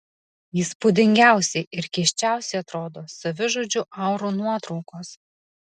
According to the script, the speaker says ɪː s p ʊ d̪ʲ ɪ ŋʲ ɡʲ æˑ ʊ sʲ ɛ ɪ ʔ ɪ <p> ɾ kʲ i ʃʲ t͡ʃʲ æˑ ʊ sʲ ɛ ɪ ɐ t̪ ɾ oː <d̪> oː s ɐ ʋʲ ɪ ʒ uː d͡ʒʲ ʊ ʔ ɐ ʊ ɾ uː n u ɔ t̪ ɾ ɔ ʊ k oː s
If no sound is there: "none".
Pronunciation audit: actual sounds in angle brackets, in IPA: none, d̪

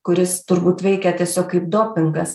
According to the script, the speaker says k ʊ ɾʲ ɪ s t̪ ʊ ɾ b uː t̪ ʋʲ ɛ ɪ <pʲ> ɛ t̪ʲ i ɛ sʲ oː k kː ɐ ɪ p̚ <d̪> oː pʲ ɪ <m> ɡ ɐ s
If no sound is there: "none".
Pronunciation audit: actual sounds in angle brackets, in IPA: kʲ, d̪, ŋ

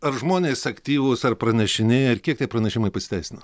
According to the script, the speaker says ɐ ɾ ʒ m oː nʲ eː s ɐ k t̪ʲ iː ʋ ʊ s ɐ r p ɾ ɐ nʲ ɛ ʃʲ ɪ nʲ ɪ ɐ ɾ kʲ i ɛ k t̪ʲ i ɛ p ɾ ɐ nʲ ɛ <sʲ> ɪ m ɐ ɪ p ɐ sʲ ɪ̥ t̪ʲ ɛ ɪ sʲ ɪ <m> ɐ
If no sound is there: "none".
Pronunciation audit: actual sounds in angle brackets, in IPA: ʃʲ, n

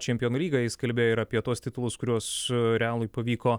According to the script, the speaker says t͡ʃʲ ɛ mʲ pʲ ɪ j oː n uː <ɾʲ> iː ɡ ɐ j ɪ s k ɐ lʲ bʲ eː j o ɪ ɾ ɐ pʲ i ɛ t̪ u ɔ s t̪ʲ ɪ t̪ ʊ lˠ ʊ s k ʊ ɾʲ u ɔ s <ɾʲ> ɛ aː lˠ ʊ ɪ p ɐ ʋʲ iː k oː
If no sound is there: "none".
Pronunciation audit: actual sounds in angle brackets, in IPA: lʲ, ɾʲ

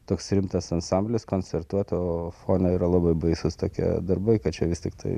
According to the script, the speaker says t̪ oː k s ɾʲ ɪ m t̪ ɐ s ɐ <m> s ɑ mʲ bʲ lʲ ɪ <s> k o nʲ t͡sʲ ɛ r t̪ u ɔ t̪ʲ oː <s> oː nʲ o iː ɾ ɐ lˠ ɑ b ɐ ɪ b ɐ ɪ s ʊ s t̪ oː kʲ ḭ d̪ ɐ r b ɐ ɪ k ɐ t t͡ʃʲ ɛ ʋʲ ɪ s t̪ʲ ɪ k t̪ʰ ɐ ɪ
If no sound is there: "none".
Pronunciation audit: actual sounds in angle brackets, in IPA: n, s, f

